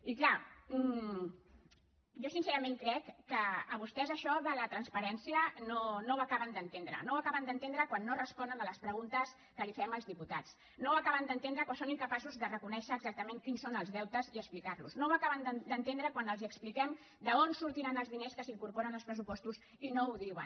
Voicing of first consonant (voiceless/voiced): voiceless